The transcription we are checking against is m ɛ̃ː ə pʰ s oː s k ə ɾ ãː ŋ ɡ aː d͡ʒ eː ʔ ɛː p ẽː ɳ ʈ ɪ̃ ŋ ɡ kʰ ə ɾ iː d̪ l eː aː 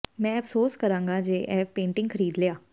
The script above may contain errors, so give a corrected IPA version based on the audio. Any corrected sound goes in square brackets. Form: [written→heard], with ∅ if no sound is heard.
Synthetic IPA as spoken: m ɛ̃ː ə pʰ s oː s k ə ɾ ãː ŋ ɡ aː d͡ʒ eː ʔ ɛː p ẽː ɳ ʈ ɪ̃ ŋ ɡ kʰ ə ɾ iː d̪ l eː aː

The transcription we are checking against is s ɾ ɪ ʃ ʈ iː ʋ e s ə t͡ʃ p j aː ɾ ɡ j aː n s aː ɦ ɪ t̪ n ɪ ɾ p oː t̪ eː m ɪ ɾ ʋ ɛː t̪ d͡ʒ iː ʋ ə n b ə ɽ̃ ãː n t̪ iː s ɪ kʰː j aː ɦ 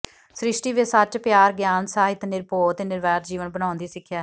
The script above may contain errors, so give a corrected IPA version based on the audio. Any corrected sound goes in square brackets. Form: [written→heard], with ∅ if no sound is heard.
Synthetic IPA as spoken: s ɾ ɪ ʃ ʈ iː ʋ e s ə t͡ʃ p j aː ɾ ɡ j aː n s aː ɦ ɪ t̪ n ɪ ɾ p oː t̪ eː [m→n] ɪ ɾ ʋ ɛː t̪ d͡ʒ iː ʋ ə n b ə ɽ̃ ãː n [t̪→d̪] iː s ɪ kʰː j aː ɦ

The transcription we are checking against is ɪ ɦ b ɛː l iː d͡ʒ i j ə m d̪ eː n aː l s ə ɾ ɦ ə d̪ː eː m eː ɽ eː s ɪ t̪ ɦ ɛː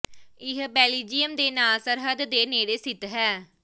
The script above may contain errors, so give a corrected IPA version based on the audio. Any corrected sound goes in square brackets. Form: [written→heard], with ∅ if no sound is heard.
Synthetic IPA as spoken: ɪ ɦ b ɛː l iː d͡ʒ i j ə m d̪ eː n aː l s ə ɾ ɦ ə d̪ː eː [m→n] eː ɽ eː s ɪ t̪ ɦ ɛː

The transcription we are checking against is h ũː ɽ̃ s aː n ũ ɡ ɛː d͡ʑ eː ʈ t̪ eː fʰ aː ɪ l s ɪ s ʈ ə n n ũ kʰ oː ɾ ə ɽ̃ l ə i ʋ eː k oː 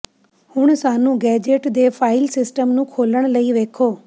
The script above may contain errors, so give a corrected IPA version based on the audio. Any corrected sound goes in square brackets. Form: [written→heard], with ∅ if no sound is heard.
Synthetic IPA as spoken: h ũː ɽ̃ s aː n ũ ɡ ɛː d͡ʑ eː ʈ [t̪→d̪] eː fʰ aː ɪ l s ɪ s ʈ ə [n→m] n ũ kʰ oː [ɾ→l] ə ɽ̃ l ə i ʋ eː [k→kʰ] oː

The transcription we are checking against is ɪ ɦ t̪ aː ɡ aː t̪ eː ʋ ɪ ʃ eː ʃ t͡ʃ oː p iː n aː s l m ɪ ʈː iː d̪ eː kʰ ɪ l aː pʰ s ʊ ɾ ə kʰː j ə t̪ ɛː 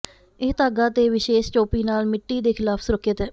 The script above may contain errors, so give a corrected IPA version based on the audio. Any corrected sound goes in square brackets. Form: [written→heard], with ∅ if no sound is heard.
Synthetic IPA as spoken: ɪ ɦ t̪ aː ɡ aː t̪ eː ʋ ɪ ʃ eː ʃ t͡ʃ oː p iː n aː [s→∅] l m ɪ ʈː iː d̪ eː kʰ ɪ l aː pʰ s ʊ ɾ ə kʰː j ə t̪ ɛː

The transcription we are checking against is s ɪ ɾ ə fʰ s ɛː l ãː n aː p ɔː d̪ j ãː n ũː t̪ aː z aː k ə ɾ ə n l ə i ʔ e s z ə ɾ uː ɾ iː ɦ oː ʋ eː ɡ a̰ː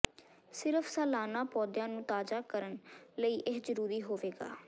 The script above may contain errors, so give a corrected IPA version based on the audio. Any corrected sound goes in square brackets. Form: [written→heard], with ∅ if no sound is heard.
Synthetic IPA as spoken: s ɪ ɾ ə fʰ s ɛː l [ãː→aː] n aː p ɔː d̪ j ãː n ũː t̪ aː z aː k ə ɾ ə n l ə [i→iː] ʔ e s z ə ɾ uː ɾ iː ɦ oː ʋ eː ɡ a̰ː

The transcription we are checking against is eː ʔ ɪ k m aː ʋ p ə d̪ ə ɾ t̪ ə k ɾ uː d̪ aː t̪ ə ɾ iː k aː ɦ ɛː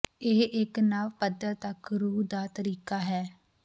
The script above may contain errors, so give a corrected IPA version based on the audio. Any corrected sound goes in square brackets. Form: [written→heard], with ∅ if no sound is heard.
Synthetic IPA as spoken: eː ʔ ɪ k [m→n] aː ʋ p ə d̪ ə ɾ t̪ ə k ɾ uː d̪ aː t̪ ə ɾ iː k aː ɦ ɛː

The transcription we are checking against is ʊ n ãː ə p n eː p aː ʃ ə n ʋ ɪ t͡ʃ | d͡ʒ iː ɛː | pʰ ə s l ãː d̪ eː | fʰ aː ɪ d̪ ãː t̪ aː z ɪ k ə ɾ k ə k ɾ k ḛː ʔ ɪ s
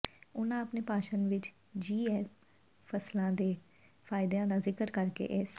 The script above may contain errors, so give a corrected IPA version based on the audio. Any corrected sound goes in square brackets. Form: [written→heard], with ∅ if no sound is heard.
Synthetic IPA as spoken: ʊ n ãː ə p n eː p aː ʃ ə n ʋ ɪ t͡ʃ | d͡ʒ iː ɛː | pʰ ə s l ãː d̪ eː | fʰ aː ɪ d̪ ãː [t̪→d̪] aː z ɪ k ə ɾ k ə [k→∅] ɾ k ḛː ʔ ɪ s

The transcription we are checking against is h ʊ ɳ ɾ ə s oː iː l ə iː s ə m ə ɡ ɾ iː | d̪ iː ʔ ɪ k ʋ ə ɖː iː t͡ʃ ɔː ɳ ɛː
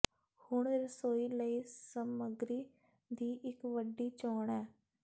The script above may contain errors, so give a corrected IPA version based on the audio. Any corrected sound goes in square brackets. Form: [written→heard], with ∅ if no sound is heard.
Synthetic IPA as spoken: h ʊ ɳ ɾ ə s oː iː l ə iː s ə m ə ɡ ɾ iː | d̪ iː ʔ ɪ k ʋ ə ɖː iː t͡ʃ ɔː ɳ ɛː

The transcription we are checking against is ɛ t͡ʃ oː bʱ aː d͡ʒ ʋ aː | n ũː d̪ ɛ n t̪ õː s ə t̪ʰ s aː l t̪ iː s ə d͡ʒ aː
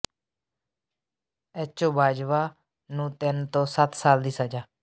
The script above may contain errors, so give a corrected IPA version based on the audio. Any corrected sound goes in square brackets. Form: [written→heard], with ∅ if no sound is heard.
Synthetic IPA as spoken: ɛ t͡ʃ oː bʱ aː d͡ʒ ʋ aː | n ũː [d̪→t̪] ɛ n t̪ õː s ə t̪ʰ s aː l [t̪→d̪] iː s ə d͡ʒ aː

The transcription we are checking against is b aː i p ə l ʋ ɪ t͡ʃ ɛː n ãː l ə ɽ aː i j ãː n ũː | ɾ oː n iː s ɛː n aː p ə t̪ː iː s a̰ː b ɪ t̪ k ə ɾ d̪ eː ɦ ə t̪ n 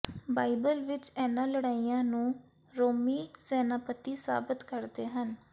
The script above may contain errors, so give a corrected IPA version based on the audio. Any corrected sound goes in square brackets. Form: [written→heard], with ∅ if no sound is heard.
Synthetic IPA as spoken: b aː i [p→b] ə l ʋ ɪ t͡ʃ ɛː n ãː l ə ɽ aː i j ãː n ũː | ɾ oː [n→m] iː s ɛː n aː p ə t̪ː iː s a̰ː b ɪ t̪ k ə ɾ d̪ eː ɦ ə [t̪→∅] n

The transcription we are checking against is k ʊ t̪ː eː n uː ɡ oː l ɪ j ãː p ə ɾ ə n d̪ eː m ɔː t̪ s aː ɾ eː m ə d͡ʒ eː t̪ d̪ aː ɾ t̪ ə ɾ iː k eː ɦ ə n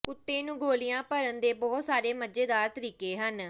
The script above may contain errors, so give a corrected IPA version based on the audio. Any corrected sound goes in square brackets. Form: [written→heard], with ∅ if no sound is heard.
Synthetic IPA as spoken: k ʊ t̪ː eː n [uː→ũː] ɡ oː l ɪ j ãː p ə ɾ ə n d̪ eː [m→b] ɔː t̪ s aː ɾ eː m ə d͡ʒ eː [t̪→∅] d̪ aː ɾ t̪ ə ɾ iː k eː ɦ ə n

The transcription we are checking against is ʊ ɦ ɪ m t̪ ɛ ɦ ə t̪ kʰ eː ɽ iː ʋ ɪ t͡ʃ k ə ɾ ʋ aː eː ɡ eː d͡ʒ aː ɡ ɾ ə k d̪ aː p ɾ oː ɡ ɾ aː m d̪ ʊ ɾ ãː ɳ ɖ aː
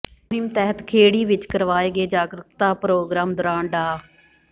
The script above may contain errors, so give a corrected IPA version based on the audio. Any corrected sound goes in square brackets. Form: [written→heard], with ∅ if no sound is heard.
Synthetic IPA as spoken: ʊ ɦ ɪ m t̪ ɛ ɦ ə t̪ kʰ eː ɽ iː ʋ ɪ t͡ʃ k ə ɾ ʋ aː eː ɡ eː d͡ʒ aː ɡ ɾ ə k [d̪→t̪] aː p ɾ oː ɡ ɾ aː m d̪ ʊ ɾ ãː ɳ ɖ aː

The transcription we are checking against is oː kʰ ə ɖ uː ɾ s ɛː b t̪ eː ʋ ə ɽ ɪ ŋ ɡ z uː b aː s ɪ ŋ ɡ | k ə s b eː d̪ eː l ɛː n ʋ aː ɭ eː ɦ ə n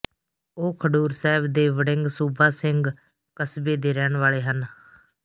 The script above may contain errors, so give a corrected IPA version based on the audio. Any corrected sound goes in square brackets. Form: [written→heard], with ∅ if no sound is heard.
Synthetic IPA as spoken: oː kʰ ə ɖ uː ɾ s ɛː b [t̪→d̪] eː ʋ ə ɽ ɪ ŋ ɡ [z→s] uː b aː s ɪ ŋ ɡ | k ə s b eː d̪ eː [l→ɾ] ɛː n ʋ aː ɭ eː ɦ ə n

